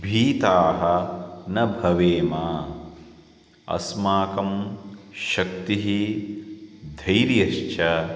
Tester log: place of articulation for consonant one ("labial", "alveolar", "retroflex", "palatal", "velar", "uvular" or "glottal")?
labial